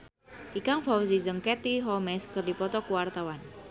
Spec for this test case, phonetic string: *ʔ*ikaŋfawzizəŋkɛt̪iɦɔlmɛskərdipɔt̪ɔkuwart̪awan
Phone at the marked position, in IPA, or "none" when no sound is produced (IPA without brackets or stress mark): p